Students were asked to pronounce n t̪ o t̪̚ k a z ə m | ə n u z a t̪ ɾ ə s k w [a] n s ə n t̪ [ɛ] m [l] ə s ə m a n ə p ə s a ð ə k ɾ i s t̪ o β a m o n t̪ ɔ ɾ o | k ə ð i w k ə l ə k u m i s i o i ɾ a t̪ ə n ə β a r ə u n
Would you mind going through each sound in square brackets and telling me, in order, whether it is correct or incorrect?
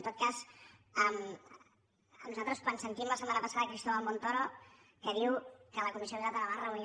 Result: correct, incorrect, correct

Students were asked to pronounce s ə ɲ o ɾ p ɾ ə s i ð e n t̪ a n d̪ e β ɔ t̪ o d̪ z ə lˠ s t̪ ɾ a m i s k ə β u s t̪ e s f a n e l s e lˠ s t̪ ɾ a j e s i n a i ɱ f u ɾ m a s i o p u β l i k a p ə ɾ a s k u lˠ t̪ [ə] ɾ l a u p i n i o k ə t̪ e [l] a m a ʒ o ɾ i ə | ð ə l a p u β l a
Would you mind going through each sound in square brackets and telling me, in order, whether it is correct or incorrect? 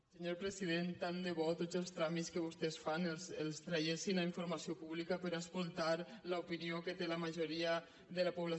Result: incorrect, correct

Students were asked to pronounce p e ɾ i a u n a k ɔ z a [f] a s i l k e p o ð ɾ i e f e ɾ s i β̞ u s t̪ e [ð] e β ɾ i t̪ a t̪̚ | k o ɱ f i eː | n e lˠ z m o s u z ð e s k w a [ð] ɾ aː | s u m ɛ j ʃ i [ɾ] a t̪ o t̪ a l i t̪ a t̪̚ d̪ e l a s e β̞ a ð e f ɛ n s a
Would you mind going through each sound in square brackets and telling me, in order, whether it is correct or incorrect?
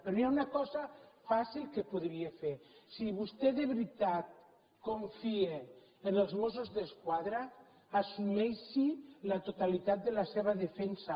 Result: correct, correct, correct, incorrect

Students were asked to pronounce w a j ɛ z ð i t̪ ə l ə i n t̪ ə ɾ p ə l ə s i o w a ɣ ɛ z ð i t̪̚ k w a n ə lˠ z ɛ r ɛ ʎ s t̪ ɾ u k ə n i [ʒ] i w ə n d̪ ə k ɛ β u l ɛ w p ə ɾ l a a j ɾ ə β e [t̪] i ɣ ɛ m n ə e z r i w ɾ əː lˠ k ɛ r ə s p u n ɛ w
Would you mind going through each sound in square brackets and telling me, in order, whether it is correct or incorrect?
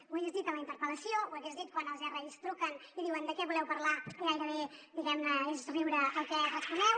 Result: incorrect, incorrect

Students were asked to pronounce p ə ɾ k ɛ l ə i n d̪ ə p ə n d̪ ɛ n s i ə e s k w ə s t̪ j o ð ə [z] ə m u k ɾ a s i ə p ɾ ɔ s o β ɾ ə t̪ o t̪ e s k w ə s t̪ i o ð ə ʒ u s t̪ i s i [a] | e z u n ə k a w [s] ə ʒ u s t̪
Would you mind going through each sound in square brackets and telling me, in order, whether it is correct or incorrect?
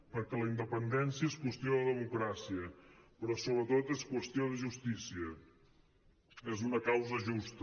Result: incorrect, incorrect, incorrect

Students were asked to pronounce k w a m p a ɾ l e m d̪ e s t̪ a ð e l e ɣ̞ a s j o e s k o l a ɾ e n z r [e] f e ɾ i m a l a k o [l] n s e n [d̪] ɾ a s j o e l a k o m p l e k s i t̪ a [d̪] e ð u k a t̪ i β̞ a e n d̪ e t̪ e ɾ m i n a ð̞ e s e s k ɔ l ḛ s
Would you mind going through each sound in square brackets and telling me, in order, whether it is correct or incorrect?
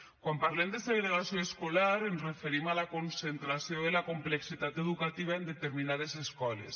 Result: correct, incorrect, incorrect, incorrect

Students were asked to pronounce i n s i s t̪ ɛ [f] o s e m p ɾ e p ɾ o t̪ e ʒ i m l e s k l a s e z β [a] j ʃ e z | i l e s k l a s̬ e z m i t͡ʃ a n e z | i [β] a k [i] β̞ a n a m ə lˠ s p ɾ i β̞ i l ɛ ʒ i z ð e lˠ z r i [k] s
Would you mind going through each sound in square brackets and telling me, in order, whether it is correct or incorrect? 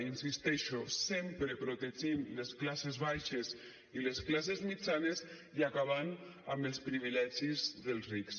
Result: incorrect, correct, incorrect, incorrect, correct

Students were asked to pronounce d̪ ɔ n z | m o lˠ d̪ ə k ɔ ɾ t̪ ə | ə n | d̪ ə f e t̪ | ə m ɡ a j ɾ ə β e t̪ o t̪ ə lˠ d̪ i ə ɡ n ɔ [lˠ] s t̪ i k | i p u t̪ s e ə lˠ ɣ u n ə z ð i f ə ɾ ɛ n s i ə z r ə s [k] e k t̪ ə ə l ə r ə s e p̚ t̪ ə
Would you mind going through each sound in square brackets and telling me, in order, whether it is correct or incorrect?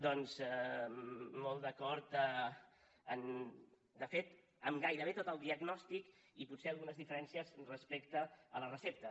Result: incorrect, incorrect

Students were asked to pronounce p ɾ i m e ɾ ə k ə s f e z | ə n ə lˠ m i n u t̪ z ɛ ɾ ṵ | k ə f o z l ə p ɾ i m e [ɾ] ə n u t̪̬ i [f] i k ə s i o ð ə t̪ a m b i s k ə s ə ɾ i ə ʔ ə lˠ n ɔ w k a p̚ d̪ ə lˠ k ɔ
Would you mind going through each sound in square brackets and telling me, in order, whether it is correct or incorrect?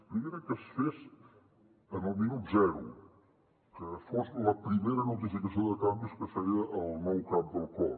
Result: correct, correct

